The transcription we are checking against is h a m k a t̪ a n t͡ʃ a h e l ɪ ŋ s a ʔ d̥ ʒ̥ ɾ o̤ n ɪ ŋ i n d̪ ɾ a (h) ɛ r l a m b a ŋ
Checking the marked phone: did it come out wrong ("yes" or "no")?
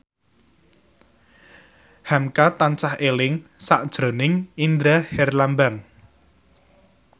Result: no